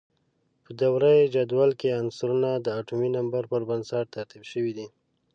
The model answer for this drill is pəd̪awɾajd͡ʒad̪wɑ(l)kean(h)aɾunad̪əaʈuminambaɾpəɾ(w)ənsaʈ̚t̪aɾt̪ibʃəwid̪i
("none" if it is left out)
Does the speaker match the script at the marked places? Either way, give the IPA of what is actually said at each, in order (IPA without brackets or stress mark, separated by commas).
l, s, b